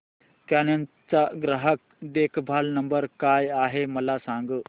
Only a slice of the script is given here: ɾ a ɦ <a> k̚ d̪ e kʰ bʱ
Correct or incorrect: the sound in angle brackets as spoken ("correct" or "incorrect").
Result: incorrect